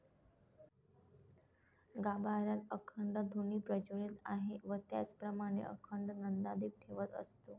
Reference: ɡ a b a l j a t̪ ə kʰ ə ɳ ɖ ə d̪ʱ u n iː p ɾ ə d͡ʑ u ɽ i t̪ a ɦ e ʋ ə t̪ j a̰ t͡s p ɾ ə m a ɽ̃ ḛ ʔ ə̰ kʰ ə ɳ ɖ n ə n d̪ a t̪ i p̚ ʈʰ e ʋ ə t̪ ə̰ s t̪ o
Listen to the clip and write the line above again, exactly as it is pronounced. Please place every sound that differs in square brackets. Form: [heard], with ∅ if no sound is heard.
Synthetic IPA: ɡ a b a [ɾ] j a t̪ ə kʰ ə ɳ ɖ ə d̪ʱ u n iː p ɾ ə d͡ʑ u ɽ i t̪ a ɦ e ʋ ə t̪ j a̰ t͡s p ɾ ə m a ɽ̃ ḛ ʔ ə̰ kʰ ə ɳ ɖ n ə n d̪ a [d̪] i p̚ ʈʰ e ʋ ə t̪ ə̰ s t̪ o